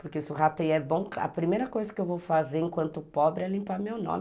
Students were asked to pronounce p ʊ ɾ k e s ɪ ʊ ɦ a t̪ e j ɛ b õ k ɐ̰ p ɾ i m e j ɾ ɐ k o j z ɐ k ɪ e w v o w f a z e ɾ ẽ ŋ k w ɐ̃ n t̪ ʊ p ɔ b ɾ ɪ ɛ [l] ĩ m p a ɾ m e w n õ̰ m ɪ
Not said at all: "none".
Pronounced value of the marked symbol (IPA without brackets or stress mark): l